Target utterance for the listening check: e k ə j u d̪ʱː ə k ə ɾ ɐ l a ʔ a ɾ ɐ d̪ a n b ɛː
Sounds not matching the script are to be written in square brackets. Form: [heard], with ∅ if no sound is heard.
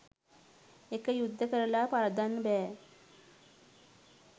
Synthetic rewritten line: e k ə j u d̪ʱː ə k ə ɾ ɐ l a [p] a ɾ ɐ d̪ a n b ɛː

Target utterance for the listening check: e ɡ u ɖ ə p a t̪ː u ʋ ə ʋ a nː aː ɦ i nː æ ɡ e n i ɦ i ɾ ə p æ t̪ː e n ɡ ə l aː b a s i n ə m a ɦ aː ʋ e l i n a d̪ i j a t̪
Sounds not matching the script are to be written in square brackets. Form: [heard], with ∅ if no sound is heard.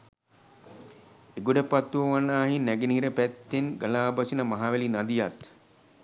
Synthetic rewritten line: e ɡ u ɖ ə p a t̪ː u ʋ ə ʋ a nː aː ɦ i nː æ ɡ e n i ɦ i ɾ ə p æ t̪ː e n ɡ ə l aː b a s i n ə m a ɦ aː ʋ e l i n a d̪ i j a t̪

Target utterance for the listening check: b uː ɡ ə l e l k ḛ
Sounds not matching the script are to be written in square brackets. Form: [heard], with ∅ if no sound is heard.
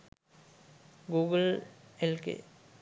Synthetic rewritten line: [ɡ] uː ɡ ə l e l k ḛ

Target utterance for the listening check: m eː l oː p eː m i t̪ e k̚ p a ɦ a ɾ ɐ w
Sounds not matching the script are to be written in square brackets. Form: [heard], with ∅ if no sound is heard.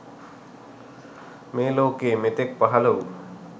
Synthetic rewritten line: m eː l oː [k] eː m [e] t̪ e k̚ p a ɦ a [l] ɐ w

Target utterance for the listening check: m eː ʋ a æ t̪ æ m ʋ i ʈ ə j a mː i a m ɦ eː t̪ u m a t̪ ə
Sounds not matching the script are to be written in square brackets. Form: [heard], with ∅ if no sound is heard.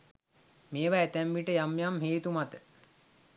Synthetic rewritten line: m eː ʋ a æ t̪ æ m ʋ i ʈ ə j a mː [j] a m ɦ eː t̪ u m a t̪ ə

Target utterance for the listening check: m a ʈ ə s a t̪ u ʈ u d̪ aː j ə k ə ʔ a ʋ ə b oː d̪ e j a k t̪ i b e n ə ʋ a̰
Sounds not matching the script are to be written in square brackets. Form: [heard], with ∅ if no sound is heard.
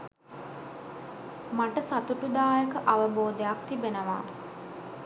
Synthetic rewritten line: m a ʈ ə s a t̪ u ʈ u d̪ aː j ə k ə ʔ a ʋ ə b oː d̪ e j a k t̪ i b e n ə ʋ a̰

